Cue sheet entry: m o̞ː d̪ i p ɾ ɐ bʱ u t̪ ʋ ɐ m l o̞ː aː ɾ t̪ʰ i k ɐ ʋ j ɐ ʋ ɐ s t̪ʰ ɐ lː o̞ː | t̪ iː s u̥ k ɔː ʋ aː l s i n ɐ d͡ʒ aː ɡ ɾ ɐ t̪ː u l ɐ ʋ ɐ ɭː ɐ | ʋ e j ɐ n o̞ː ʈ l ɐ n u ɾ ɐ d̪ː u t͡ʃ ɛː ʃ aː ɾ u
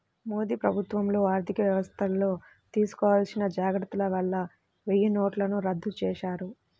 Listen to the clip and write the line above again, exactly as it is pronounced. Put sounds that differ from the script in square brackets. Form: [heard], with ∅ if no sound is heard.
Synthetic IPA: m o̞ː d̪ [iː] p ɾ ɐ bʱ u t̪ ʋ ɐ m l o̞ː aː ɾ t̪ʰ i k ɐ ʋ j ɐ ʋ ɐ s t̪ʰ ɐ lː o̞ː | t̪ iː s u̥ k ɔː ʋ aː l s i n ɐ d͡ʒ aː ɡ ɾ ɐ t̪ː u l ɐ ʋ ɐ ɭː ɐ | ʋ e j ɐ n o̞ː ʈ l ɐ n u ɾ ɐ d̪ː u t͡ʃ ɛː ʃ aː ɾ u

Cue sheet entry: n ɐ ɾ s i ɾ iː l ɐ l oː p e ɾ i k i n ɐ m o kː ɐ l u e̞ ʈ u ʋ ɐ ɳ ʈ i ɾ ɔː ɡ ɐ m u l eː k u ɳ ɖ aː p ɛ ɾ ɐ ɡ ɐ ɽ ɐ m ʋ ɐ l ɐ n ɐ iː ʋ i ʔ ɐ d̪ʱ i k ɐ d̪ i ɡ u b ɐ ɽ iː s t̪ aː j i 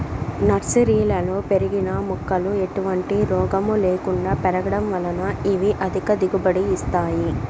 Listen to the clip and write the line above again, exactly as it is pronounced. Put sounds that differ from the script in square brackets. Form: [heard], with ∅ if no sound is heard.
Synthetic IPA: n ɐ ɾ s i ɾ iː l ɐ l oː p e ɾ i [ɡ] i n ɐ m [u] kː ɐ l u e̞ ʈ u ʋ ɐ ɳ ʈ i ɾ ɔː ɡ ɐ m u l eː k u ɳ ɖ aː p ɛ ɾ ɐ ɡ ɐ ɽ ɐ m ʋ ɐ l ɐ n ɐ [i] ʋ i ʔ ɐ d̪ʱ i k ɐ d̪ i ɡ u b ɐ ɽ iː s t̪ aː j i

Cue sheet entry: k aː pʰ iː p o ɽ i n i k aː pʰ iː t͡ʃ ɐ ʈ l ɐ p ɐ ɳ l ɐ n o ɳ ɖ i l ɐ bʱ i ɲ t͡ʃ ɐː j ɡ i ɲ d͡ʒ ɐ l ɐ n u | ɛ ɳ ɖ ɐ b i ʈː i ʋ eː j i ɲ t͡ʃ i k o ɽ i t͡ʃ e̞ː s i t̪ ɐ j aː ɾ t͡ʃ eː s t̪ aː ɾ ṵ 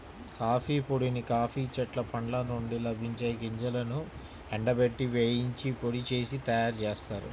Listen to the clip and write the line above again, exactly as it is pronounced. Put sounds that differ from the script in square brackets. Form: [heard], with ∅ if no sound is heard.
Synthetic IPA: k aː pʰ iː p o ɽ i n i k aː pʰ iː t͡ʃ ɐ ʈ l ɐ p ɐ ɳ l ɐ n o ɳ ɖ i l ɐ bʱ i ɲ t͡ʃ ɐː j ɡ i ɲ d͡ʒ ɐ l ɐ n u | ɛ ɳ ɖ ɐ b [e] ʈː i ʋ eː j i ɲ t͡ʃ i [p] o ɽ i t͡ʃ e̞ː s i t̪ ɐ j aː ɾ t͡ʃ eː s t̪ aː ɾ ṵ

